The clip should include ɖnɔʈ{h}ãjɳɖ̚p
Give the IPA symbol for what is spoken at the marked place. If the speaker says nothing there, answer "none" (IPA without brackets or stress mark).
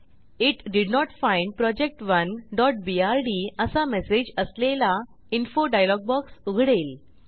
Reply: f